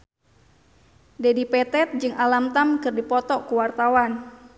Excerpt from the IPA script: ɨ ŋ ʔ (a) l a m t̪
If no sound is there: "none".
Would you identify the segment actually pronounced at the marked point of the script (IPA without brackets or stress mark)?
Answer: a